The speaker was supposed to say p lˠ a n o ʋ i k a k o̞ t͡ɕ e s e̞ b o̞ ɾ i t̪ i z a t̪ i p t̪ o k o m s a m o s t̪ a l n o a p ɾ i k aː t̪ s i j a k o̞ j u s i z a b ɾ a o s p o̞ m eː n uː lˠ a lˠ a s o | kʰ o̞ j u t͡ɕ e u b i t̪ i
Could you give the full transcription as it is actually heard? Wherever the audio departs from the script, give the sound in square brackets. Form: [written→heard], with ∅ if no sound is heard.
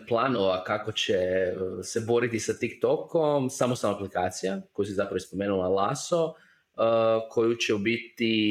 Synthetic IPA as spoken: p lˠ a n o ʋ [i→a] k a k o̞ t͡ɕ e s e̞ b o̞ ɾ i t̪ i [z→s] a t̪ i [p→k] t̪ o k o m s a m o s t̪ a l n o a p [ɾ→l] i k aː t̪ s i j a k o̞ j u s i z a [b→p] ɾ a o s p o̞ m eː n [uː→u] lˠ a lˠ a s o | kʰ o̞ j u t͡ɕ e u b i t̪ i